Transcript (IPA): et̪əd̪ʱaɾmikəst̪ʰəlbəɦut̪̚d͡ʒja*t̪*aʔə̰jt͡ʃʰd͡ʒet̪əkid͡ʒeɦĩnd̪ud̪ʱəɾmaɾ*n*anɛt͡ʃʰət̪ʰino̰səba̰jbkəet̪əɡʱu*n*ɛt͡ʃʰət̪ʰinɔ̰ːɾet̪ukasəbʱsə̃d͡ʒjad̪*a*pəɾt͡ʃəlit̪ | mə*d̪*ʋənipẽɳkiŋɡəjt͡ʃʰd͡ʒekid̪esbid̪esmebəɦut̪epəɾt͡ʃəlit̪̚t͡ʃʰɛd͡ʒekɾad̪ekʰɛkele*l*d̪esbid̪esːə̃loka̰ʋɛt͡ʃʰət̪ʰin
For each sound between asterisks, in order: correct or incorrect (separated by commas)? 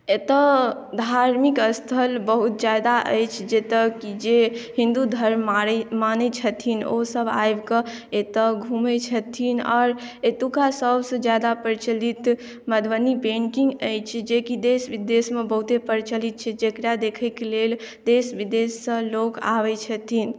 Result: incorrect, incorrect, incorrect, correct, correct, correct